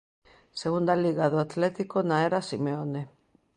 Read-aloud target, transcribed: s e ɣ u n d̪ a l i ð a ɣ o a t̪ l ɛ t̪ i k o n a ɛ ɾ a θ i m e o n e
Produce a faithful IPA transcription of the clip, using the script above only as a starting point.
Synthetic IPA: s e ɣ u n d̪ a l i ɣ a ð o a t̪ l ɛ t̪ i k o n a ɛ ɾ a s i m e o n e